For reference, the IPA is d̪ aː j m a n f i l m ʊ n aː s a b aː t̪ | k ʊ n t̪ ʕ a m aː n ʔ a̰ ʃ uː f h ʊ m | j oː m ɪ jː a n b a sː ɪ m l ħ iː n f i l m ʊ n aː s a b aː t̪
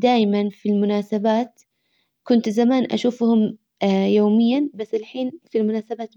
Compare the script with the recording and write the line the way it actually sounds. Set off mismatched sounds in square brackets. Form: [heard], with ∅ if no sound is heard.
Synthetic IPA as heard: d̪ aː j m a n f i l m ʊ n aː s a b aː t̪ | k ʊ n t̪ [z] a m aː n ʔ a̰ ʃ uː f h ʊ m | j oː m ɪ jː a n b a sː ɪ [∅] l ħ iː n f i l m ʊ n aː s a b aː t̪